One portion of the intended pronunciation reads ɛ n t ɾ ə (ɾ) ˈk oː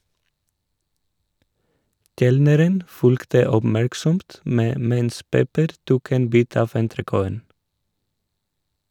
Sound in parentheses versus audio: incorrect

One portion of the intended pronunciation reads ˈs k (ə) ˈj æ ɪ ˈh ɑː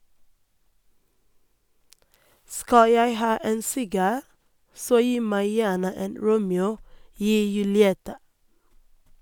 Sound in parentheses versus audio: incorrect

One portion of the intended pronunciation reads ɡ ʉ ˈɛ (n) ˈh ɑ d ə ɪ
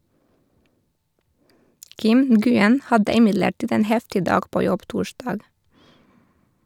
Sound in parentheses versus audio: correct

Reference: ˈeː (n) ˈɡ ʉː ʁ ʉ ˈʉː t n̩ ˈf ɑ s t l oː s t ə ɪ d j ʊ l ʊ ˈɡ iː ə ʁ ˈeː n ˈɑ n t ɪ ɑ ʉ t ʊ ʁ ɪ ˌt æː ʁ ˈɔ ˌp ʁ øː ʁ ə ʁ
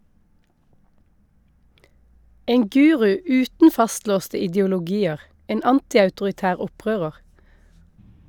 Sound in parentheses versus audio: incorrect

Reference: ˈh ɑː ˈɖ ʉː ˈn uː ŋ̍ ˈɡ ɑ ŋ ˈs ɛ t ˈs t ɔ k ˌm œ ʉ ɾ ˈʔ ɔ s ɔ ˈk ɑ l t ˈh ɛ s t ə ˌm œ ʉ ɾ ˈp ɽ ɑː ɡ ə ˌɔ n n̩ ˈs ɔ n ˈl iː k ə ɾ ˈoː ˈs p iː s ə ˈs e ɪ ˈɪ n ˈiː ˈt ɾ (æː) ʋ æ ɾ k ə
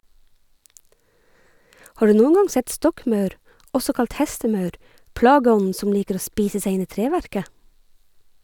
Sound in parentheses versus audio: incorrect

